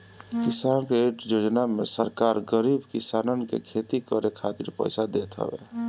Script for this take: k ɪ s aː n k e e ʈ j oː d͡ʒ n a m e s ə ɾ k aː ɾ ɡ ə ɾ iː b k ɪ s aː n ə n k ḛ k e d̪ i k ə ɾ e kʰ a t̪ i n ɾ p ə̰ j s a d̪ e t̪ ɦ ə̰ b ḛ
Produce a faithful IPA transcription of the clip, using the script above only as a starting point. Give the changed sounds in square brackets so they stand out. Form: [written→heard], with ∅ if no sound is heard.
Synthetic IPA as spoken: k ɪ s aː n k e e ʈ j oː d͡ʒ n a m e s ə ɾ k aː ɾ ɡ ə ɾ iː b k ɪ s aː n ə n k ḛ [k→kʰ] e [d̪→t̪] i k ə ɾ e kʰ a t̪ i [n→∅] ɾ p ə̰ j s a d̪ e t̪ ɦ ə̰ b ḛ